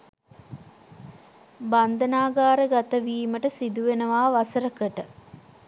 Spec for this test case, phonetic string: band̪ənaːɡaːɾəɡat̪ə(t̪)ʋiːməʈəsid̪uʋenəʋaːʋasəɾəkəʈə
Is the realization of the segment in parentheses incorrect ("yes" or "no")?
yes